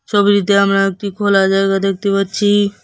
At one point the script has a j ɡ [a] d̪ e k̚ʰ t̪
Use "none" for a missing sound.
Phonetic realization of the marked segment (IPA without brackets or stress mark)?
a